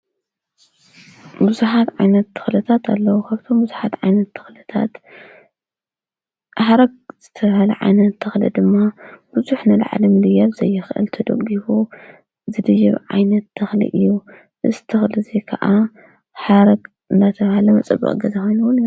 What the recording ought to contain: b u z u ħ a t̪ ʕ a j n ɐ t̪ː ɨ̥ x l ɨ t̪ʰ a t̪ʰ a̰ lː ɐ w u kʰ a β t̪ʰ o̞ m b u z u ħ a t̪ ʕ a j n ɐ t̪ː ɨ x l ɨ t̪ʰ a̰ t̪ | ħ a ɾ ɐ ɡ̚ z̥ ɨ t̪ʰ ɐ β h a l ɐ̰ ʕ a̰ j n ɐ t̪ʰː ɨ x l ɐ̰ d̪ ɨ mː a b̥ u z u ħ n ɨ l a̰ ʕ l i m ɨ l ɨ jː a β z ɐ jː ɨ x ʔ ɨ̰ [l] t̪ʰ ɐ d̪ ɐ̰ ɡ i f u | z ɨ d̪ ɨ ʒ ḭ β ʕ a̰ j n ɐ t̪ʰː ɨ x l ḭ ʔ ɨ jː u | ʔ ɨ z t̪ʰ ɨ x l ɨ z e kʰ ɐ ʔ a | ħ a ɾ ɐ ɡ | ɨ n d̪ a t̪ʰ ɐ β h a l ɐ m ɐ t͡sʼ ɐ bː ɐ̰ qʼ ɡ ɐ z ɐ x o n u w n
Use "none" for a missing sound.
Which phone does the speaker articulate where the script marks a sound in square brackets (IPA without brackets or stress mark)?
l